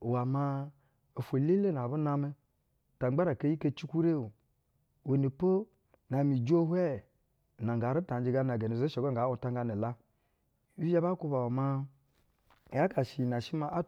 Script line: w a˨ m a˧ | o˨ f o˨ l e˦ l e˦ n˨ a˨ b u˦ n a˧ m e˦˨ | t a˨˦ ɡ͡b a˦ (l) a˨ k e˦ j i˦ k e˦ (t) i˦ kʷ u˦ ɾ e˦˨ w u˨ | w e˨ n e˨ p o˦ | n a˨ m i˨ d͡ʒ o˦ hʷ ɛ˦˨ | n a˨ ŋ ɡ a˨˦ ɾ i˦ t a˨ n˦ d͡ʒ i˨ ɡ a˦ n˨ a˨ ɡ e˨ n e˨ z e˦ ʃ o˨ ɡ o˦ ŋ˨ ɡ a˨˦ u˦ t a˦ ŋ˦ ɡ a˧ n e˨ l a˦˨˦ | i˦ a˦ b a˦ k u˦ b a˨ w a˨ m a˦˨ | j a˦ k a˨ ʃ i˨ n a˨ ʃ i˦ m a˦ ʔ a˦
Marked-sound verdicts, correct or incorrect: incorrect: ɾ, incorrect: t͡ʃ

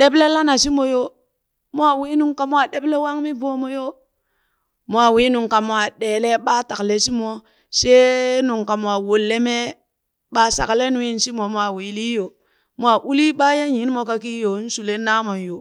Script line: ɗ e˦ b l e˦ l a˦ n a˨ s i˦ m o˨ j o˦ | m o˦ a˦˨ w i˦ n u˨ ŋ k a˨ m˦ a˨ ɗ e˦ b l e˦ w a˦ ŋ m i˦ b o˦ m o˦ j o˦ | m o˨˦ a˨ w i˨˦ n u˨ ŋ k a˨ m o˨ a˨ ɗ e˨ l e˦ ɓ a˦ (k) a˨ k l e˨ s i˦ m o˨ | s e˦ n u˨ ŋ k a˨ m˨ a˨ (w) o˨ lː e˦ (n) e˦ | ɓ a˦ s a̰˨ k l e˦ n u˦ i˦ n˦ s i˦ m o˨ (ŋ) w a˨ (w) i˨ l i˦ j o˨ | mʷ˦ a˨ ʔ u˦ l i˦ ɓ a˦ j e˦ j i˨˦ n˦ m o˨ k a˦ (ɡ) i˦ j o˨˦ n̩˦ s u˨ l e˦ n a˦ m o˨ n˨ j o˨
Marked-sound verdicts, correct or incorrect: incorrect: t, correct, incorrect: m, incorrect: m, correct, incorrect: k

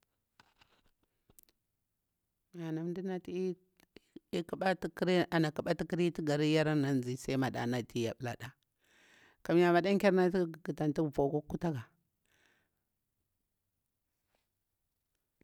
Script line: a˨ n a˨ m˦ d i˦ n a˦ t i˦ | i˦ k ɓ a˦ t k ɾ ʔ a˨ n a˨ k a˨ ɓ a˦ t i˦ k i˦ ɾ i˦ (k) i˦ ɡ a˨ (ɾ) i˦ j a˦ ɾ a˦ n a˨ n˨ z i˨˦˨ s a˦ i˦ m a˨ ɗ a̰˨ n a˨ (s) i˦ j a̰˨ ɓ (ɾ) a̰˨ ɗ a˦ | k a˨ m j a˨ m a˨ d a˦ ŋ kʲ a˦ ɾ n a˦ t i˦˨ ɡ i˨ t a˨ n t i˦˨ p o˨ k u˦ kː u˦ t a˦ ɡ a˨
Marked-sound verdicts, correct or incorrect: incorrect: t, correct, incorrect: t, incorrect: l

